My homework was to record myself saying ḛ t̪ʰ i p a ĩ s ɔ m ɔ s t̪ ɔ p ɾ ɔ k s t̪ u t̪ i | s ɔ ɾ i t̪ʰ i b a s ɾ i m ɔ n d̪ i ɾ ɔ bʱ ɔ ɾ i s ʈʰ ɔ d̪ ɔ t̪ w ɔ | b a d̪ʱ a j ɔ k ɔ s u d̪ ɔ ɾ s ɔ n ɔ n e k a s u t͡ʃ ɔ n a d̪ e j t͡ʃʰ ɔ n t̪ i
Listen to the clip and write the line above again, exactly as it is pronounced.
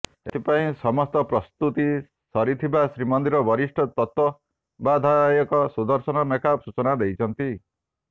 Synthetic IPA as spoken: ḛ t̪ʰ i p a ĩ s ɔ m ɔ s t̪ ɔ p ɾ ɔ s t̪ u t̪ i | s ɔ ɾ i t̪ʰ i b a s ɾ i m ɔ n d̪ i ɾ ɔ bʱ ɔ ɾ i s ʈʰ ɔ t̪ ɔ t̪ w ɔ | b a d̪ʱ a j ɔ k ɔ s u d̪ ɔ ɾ s ɔ n ɔ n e k a s u t͡ʃ ɔ n a d̪ e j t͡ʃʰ ɔ n t̪ i